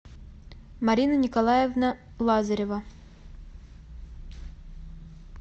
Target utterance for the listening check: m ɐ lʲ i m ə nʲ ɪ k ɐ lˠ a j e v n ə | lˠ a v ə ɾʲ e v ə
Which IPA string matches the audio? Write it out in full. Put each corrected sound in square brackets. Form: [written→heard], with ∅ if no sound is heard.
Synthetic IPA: m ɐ [lʲ→ɾʲ] i [m→n] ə nʲ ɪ k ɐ lˠ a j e v n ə | lˠ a [v→z] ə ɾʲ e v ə

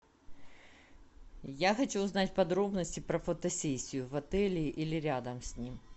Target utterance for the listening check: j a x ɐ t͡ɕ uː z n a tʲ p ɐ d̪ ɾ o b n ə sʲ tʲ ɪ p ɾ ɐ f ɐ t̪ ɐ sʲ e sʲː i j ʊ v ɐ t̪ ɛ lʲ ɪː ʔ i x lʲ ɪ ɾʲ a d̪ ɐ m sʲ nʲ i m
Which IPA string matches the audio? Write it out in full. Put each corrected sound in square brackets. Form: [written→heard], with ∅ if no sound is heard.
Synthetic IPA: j a x ɐ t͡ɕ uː z n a tʲ p ɐ d̪ ɾ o b n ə sʲ tʲ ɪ p ɾ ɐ f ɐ t̪ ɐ sʲ e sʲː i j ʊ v ɐ t̪ ɛ lʲ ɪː ʔ i [x→∅] lʲ ɪ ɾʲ a d̪ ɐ m sʲ nʲ i m

